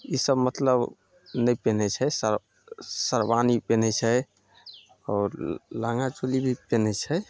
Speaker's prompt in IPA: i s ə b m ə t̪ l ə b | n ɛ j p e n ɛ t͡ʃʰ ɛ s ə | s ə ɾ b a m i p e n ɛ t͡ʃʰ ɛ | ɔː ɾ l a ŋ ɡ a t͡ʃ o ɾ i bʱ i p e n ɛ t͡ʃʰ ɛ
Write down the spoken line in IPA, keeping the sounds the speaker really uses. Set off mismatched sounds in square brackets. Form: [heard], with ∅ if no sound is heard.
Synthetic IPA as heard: i s ə b m ə t̪ l ə b | n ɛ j p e n ɛ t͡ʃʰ ɛ s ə | s ə ɾ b a [n] i p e n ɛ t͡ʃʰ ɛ | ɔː ɾ l a ŋ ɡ a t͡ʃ o [l] i bʱ i p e n ɛ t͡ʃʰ ɛ